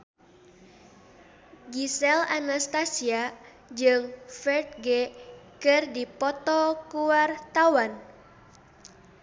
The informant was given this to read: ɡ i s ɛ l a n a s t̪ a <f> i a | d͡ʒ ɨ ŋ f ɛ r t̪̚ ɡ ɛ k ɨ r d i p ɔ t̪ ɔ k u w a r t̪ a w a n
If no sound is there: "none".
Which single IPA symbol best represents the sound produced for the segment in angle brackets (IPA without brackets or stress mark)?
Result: s